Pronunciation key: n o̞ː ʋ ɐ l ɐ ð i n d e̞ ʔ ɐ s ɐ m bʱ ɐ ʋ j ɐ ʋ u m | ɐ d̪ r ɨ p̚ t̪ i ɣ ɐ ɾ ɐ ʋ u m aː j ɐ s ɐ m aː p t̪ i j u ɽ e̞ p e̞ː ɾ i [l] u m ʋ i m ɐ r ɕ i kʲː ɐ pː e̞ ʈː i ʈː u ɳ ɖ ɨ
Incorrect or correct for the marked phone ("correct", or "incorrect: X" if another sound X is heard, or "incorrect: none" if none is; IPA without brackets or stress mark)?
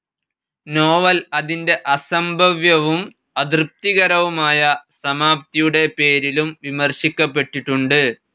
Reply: correct